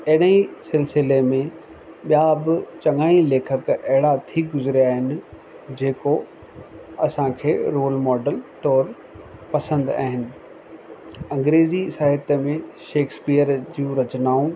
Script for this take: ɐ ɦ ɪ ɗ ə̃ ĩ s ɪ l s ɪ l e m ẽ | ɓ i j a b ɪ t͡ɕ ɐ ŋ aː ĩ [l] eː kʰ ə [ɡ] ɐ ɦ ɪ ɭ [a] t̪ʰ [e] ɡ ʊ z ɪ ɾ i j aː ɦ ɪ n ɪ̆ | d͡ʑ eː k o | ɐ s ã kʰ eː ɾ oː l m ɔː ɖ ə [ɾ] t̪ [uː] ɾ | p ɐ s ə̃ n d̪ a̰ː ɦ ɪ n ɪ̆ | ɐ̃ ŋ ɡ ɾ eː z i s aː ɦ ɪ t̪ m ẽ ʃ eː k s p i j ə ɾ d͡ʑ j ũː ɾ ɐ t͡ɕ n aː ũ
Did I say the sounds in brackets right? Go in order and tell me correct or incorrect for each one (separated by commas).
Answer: correct, incorrect, correct, incorrect, incorrect, incorrect